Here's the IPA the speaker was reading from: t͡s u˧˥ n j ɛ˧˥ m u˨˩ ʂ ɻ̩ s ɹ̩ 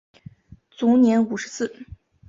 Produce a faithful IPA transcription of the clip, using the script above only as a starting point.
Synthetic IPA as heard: t͡s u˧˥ n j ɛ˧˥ n u˨˩ ʂ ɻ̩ s ɹ̩